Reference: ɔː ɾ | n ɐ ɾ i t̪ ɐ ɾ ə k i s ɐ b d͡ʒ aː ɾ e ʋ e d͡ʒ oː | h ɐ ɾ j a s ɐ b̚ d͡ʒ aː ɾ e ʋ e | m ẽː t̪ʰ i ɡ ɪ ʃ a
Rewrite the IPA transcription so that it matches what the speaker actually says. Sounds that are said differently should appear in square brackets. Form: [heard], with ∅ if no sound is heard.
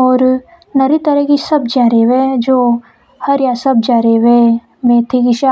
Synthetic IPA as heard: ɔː ɾ | n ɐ ɾ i t̪ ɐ ɾ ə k i s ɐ b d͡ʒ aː ɾ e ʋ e d͡ʒ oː | h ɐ ɾ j a s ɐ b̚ d͡ʒ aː ɾ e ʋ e | m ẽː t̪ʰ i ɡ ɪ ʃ a